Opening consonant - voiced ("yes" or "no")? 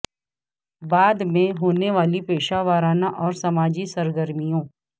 yes